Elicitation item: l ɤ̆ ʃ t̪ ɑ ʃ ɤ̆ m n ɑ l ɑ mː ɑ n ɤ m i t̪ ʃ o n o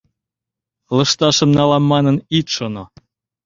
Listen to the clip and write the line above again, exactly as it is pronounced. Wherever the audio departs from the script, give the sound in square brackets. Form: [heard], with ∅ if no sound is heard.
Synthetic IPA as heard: l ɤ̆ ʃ t̪ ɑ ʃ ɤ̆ m n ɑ l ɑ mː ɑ n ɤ [n] i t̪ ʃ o n o